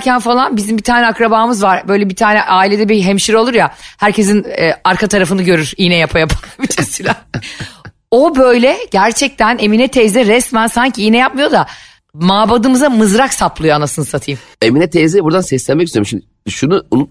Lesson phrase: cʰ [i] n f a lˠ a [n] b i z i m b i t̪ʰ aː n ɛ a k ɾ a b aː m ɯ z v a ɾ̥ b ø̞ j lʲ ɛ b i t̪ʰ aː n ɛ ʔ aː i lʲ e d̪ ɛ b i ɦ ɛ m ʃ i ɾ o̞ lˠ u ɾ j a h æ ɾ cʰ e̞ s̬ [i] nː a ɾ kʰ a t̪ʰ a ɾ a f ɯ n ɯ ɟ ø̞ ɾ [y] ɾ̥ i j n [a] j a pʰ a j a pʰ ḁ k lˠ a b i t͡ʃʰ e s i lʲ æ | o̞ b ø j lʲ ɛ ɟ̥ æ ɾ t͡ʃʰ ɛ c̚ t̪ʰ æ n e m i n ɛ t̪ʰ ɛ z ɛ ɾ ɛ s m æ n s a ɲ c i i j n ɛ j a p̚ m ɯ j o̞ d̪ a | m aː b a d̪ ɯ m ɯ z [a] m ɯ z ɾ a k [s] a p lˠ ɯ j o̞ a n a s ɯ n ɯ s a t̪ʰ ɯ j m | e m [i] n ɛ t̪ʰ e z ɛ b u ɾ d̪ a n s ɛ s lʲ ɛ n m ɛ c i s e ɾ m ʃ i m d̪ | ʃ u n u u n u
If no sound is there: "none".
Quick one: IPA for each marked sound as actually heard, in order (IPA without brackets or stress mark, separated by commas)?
æ, n, i, y, ɛ, a, s, i